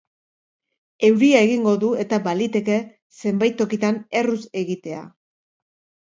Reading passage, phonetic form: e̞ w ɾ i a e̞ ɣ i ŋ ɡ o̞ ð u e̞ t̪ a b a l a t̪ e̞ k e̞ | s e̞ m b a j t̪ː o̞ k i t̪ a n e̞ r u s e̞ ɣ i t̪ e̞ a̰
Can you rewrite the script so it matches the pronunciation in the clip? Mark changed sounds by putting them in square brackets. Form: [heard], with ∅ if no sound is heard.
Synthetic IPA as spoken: e̞ w ɾ i a e̞ ɣ i ŋ ɡ o̞ ð u e̞ t̪ a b a l [i] t̪ e̞ k e̞ | s e̞ m b a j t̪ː o̞ k i t̪ a n e̞ r u s e̞ ɣ i t̪ e̞ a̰